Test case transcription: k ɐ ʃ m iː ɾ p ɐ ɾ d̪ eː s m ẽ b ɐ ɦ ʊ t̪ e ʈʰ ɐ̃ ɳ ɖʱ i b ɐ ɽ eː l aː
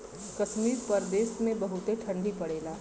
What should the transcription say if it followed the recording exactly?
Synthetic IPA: k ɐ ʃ m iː ɾ p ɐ ɾ d̪ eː s m ẽ b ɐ ɦ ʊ t̪ e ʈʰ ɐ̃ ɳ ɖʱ i p ɐ ɽ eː l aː